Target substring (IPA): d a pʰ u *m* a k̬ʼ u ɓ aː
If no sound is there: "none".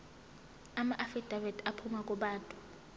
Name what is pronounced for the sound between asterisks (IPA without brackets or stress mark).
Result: m